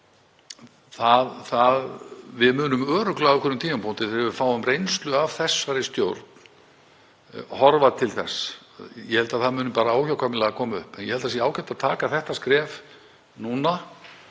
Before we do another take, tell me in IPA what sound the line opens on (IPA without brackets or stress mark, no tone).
θ